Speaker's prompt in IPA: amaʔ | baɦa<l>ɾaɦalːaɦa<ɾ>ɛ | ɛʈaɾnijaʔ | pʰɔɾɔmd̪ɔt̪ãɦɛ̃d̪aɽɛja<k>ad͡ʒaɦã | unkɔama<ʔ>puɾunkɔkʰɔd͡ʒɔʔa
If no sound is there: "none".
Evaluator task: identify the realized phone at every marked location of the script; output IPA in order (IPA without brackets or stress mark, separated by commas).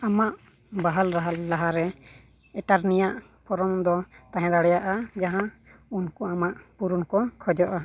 l, ɾ, ʔ, ʔ